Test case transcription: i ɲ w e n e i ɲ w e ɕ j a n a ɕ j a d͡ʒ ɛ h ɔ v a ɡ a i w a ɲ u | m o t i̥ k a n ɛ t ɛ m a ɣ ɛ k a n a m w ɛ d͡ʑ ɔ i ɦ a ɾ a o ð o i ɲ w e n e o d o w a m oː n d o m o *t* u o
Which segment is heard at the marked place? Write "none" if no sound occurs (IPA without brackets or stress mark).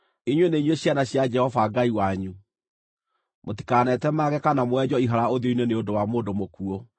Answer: k